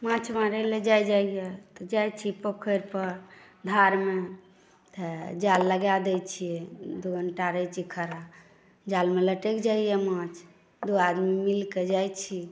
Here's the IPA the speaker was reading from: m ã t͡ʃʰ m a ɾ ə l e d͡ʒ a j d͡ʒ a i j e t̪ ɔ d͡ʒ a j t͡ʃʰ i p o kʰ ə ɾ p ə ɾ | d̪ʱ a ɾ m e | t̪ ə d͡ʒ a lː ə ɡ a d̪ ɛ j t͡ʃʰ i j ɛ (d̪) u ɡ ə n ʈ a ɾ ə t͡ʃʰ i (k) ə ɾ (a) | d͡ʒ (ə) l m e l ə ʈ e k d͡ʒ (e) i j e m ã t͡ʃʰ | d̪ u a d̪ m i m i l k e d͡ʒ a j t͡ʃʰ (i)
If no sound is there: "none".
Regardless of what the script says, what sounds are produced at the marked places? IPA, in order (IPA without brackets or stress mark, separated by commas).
d̪, kʰ, a, a, a, i